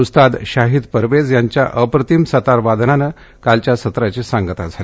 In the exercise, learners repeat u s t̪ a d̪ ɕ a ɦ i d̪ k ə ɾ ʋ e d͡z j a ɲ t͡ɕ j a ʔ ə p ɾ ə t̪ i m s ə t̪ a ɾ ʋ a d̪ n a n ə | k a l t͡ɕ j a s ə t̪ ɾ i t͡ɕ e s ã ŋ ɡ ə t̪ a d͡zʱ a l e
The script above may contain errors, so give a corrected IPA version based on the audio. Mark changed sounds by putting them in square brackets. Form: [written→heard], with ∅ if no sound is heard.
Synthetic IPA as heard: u s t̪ a d̪ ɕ a ɦ i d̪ [k→p] ə ɾ ʋ e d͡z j a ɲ t͡ɕ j a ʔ ə p ɾ ə t̪ i m s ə t̪ a ɾ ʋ a d̪ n a n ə | k a l t͡ɕ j a s ə t̪ ɾ [i→a] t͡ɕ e s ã ŋ ɡ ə t̪ a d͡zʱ a l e